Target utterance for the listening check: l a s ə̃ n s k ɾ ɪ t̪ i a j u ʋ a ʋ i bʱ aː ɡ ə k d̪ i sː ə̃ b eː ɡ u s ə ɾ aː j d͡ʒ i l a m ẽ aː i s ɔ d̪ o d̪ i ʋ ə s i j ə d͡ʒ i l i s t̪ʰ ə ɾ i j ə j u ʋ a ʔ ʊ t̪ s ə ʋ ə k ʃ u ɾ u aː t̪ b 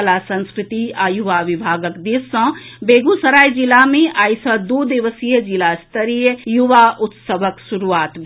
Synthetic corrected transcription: l a s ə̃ n s k ɾ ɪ t̪ i a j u ʋ a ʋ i bʱ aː ɡ ə k d̪ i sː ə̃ b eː ɡ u s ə ɾ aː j d͡ʒ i l a m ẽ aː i s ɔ d̪ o d̪ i ʋ ə s i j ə d͡ʒ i l a s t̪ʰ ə ɾ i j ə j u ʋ a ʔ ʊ t̪ s ə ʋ ə k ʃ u ɾ u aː t̪ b